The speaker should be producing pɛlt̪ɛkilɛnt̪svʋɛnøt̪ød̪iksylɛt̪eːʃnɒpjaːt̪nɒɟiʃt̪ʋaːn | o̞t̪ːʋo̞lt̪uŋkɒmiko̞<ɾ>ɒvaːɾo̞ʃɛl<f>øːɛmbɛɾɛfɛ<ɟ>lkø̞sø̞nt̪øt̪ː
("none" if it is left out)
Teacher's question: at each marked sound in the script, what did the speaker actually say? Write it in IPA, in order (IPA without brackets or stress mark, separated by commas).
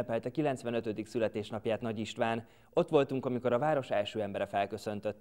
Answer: ɾ, ʃ, none